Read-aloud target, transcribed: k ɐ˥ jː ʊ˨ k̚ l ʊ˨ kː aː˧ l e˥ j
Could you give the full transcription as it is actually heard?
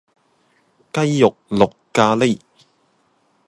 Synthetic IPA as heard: k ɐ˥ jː ʊ˨ k̚ l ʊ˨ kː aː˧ l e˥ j